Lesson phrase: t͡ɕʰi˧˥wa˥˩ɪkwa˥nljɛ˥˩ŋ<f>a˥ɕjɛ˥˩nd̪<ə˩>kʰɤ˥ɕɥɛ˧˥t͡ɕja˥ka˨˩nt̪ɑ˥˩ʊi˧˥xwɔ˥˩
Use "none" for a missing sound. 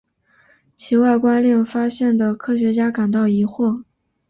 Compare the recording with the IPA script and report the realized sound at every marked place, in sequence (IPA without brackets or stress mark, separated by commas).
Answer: f, ə˩